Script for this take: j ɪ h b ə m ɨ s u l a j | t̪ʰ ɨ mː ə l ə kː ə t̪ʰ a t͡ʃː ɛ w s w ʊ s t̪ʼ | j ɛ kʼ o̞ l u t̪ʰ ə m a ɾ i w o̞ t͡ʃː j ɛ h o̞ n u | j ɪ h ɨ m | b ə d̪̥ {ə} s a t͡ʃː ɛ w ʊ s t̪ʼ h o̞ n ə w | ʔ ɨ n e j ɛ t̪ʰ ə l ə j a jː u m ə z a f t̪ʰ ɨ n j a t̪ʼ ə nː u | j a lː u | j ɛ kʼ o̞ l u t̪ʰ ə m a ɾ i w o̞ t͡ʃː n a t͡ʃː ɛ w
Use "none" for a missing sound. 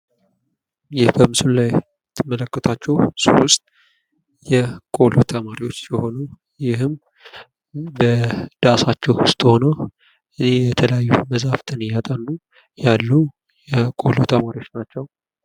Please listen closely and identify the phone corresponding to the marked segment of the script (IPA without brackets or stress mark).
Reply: a